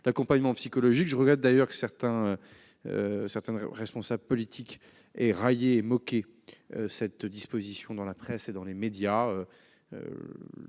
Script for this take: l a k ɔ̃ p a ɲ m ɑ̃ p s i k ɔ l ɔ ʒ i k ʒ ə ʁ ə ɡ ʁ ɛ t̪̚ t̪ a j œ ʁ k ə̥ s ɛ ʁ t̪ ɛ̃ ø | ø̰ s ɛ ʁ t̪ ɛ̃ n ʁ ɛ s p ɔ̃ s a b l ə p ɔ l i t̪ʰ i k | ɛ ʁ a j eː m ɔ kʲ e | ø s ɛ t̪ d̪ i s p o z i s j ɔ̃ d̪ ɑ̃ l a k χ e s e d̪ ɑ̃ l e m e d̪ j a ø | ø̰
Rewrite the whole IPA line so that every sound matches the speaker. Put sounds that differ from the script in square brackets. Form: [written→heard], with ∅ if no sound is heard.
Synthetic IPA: l a k ɔ̃ p a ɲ m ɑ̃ p s i k ɔ l ɔ ʒ i k ʒ ə ʁ ə ɡ ʁ ɛ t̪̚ [t̪→d̪] a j œ ʁ k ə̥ s ɛ ʁ t̪ ɛ̃ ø | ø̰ s ɛ ʁ t̪ ɛ̃ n ʁ ɛ s p ɔ̃ s a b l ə p ɔ l i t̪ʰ i k | ɛ ʁ a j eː m ɔ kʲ e | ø s ɛ t̪ d̪ i s p o z i s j ɔ̃ d̪ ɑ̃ l a [k→p] χ [e→ɛ] s e d̪ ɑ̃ l e m e d̪ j a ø | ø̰